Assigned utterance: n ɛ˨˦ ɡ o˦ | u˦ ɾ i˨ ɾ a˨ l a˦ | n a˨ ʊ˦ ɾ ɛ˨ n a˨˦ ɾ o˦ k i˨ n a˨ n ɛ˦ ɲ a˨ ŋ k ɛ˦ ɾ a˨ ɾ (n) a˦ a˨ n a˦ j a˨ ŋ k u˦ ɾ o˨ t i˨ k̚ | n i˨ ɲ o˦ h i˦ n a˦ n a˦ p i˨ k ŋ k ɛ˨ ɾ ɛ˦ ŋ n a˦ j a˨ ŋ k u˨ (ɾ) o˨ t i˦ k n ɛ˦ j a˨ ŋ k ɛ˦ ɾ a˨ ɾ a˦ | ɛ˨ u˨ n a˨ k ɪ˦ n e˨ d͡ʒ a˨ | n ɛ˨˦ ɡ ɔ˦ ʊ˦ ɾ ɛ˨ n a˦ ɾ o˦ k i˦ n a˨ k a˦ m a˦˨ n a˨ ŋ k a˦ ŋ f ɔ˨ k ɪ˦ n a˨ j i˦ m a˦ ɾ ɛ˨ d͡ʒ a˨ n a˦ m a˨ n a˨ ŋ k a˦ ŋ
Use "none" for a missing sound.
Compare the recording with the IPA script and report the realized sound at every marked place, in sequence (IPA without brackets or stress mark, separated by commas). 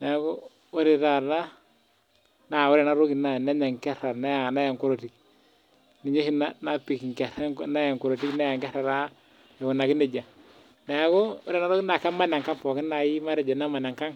n, ɾ